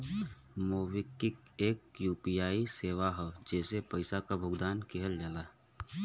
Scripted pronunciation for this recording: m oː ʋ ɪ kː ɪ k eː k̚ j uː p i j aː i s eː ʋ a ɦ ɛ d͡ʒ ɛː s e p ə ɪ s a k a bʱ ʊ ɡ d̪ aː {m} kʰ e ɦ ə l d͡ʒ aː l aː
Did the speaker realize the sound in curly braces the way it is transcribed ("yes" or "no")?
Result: no